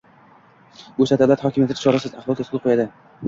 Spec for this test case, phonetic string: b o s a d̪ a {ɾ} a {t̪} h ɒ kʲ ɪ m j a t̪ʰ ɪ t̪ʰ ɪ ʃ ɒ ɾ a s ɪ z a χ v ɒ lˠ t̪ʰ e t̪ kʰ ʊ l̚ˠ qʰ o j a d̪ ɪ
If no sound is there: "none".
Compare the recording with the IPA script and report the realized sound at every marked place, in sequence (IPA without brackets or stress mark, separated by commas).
l, t̪